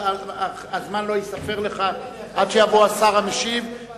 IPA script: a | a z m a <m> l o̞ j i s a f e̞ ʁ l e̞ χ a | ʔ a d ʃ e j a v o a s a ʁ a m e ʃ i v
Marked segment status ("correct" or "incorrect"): incorrect